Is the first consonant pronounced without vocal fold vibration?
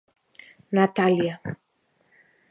no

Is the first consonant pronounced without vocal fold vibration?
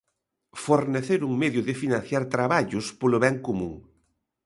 yes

